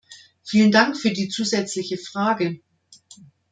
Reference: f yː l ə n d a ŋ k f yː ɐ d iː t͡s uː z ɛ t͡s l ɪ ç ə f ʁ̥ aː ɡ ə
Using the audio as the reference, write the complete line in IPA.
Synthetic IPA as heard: f iː l ə n d a ŋ k f yː ɐ d iː t͡s uː z ɛ t͡s l ɪ ç ə f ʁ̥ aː ɡ ə